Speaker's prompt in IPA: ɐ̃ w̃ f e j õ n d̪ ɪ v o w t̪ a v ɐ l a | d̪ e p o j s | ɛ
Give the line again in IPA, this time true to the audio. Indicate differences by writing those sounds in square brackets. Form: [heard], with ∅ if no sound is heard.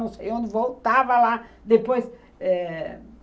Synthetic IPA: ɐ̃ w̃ [s] e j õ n d̪ ɪ v o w t̪ a v ɐ l a | d̪ e p o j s | ɛ